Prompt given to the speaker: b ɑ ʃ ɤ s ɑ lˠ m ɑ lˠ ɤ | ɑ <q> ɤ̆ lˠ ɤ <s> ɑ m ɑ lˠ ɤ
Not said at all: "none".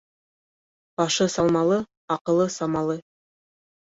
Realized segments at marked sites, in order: q, s

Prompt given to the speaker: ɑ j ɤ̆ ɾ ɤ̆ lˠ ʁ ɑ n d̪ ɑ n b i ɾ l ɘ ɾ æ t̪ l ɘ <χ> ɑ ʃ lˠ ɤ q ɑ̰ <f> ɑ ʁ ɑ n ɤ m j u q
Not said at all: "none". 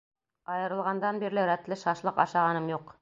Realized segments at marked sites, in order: ʃ, ʃ

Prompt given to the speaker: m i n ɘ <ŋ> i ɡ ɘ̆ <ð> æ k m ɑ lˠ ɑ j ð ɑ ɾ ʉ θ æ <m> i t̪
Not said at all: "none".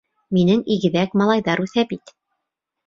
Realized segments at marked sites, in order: ŋ, ð, b

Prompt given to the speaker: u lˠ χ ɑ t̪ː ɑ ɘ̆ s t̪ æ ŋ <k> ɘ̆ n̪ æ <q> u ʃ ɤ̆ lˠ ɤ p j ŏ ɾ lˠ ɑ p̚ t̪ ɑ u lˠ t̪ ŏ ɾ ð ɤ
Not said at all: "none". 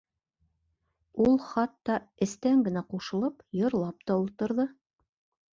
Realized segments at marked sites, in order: ɡ, q

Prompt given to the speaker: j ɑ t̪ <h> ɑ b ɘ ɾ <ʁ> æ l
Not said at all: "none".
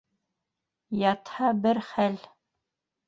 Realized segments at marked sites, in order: h, χ

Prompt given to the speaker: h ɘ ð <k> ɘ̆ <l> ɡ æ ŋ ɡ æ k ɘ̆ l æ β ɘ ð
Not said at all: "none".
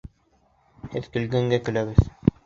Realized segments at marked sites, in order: k, l

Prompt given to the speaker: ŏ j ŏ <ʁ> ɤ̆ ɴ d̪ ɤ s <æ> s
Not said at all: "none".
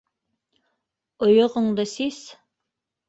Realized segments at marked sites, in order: ʁ, i

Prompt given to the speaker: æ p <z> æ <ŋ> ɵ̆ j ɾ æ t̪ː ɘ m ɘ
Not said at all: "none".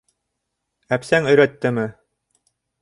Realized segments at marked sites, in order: s, ŋ

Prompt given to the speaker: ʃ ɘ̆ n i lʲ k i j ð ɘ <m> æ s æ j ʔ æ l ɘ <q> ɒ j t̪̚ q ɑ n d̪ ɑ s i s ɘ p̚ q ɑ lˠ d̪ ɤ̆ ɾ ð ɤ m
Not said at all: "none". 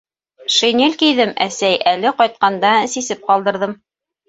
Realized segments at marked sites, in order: m, q

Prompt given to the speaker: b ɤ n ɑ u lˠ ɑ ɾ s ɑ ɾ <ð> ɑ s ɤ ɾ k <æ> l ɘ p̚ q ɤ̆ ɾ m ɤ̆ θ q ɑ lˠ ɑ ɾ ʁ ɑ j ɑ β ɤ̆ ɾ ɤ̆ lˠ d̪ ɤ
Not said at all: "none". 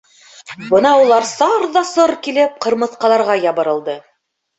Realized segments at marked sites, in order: ð, i

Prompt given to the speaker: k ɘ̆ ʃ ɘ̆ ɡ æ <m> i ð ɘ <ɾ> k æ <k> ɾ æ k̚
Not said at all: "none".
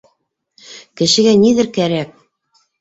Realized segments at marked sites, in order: n, ɾ, none

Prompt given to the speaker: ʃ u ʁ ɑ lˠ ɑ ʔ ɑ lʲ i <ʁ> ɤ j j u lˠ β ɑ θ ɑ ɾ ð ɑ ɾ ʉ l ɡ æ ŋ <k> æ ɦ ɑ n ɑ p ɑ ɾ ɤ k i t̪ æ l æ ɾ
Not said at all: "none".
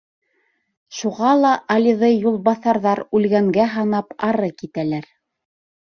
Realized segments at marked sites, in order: ð, ɡ

